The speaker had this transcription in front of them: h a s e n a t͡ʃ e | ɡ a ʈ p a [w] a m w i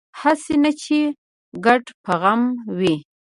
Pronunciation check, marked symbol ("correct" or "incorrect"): incorrect